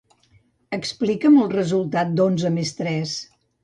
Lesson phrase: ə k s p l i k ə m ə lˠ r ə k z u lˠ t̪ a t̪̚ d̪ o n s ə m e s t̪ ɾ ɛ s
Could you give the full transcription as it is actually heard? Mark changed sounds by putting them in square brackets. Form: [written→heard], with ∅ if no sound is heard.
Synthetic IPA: ə k s p l i k ə m ə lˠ r ə [k→∅] z u lˠ t̪ a t̪̚ d̪ o n [s→z] ə m e s t̪ ɾ ɛ s